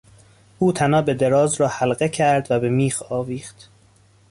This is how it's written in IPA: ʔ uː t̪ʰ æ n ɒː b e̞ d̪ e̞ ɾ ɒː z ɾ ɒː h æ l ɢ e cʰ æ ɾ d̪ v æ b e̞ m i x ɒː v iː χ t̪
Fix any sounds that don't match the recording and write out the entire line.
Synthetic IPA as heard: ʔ uː t̪ʰ æ n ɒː b e̞ d̪ e̞ ɾ ɒː z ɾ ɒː h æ l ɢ e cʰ æ ɾ d̪ v æ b e̞ m iː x ɒː v iː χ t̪